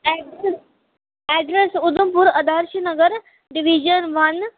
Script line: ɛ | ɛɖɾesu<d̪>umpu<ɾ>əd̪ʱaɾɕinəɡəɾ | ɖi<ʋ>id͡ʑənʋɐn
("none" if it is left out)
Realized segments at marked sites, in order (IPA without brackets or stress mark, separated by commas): d̪, ɾ, ʋ